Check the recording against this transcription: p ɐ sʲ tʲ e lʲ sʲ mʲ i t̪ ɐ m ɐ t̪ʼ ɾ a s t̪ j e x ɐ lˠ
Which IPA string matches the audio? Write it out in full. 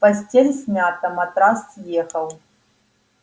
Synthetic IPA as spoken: p ɐ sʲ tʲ e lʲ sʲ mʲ a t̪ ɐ m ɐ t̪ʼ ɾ a s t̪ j e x ɐ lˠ